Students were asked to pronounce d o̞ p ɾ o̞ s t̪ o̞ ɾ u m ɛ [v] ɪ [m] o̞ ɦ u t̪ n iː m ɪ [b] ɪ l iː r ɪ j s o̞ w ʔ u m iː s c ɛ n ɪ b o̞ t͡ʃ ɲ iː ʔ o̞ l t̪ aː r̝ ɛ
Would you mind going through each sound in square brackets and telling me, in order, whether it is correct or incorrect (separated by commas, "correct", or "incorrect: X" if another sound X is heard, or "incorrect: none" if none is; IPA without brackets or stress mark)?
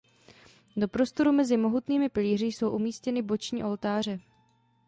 incorrect: z, correct, incorrect: p